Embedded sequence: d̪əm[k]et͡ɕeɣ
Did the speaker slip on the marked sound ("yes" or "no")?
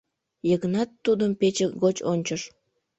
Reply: yes